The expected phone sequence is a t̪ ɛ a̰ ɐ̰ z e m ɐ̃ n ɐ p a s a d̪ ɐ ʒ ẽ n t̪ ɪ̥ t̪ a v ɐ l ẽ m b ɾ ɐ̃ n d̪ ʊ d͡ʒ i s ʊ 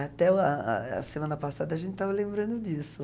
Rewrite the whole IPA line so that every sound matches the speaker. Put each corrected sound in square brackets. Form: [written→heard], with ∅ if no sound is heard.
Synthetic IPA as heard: a t̪ ɛ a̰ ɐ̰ [z→s] e m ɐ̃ n ɐ p a s a d̪ ɐ ʒ ẽ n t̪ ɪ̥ t̪ a v ɐ l ẽ m b ɾ ɐ̃ n d̪ ʊ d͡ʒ i s ʊ